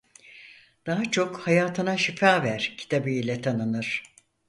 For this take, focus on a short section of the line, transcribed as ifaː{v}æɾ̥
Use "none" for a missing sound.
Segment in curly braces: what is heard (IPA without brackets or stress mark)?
v